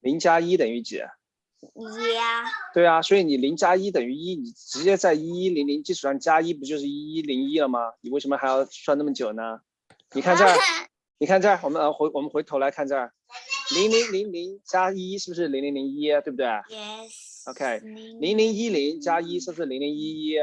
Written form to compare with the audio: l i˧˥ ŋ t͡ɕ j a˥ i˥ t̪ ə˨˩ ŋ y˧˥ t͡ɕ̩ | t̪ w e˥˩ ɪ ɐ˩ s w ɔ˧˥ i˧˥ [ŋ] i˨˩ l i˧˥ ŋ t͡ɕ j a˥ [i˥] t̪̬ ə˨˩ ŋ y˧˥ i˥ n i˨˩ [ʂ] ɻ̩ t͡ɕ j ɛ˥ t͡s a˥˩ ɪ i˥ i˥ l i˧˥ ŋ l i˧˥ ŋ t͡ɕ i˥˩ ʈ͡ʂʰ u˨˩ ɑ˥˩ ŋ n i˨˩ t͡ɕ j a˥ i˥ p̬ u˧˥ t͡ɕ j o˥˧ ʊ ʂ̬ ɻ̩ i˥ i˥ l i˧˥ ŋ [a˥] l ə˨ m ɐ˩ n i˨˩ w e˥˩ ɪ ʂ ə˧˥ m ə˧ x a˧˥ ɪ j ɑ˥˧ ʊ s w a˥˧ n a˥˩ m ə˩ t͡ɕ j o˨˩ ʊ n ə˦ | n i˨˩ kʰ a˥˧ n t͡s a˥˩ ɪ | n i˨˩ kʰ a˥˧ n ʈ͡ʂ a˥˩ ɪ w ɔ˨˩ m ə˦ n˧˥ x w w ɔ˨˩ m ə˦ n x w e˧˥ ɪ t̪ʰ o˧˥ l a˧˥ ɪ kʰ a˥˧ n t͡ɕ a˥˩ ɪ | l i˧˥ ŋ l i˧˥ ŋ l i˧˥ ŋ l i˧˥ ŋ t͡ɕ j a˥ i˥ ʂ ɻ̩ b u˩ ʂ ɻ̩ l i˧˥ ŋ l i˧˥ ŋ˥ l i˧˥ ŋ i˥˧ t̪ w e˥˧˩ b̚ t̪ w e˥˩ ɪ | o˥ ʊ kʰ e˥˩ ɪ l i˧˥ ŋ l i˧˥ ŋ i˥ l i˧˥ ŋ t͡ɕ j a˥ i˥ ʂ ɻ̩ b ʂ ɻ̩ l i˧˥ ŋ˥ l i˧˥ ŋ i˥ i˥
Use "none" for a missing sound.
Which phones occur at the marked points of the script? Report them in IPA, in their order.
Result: n, i˥, ʈ͡ʂ, i˥

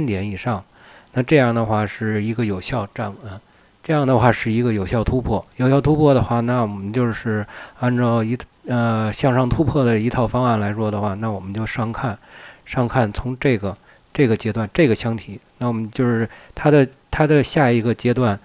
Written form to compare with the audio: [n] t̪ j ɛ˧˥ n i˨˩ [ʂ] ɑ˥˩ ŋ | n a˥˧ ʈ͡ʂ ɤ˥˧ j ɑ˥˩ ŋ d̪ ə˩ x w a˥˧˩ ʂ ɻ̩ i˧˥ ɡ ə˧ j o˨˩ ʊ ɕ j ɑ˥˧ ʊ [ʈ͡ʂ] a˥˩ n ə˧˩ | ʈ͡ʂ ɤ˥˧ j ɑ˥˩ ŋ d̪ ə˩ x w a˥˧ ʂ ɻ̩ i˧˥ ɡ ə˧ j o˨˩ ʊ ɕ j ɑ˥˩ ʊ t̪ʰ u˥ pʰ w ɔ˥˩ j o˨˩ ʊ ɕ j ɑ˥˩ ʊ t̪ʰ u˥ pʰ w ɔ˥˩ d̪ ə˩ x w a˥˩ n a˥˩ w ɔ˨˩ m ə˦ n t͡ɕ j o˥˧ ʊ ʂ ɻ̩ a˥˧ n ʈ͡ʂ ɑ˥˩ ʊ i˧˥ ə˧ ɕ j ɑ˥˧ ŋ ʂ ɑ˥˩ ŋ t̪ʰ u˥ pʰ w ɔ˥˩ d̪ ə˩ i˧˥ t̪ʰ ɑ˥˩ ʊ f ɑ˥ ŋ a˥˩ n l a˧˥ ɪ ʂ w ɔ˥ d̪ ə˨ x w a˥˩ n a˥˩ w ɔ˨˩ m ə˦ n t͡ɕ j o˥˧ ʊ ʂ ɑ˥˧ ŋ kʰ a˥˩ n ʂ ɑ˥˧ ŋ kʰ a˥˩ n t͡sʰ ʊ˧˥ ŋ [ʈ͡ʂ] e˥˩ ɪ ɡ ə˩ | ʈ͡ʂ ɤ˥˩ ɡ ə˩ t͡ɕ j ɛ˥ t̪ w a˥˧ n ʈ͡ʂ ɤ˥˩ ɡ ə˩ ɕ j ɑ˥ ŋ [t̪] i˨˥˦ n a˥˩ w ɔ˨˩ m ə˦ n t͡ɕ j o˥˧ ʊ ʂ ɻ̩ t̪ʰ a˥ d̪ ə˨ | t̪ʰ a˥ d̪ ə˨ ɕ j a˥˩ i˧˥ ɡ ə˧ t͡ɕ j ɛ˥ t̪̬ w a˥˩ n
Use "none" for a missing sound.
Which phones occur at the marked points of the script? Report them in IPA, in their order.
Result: n, ʂ, ʈ͡ʂ, ʈ͡ʂ, t̪ʰ

